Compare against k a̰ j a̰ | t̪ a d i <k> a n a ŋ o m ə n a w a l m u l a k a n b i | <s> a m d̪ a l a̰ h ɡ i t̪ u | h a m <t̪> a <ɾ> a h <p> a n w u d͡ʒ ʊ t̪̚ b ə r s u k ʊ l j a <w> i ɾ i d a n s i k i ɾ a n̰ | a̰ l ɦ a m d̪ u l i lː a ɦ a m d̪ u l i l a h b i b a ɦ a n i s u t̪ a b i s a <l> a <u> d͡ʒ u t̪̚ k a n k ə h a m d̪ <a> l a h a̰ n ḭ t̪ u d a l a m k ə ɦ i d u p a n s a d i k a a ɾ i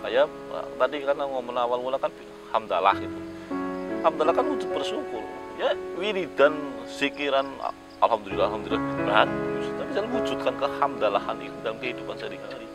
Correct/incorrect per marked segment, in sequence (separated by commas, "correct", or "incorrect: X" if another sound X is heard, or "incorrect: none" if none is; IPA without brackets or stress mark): correct, incorrect: h, incorrect: d̪, incorrect: l, incorrect: k, correct, correct, correct, correct